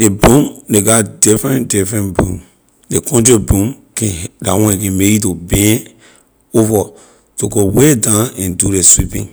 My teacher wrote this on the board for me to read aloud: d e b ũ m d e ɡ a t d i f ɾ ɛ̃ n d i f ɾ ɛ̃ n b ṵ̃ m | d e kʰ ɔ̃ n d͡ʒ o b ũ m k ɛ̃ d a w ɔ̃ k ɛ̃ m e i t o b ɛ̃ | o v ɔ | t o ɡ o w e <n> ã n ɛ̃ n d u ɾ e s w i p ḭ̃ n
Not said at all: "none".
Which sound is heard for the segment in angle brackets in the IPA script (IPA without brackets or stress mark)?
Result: d